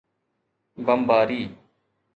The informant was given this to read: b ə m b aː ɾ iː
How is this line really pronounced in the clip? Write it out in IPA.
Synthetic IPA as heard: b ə m b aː ɾ iː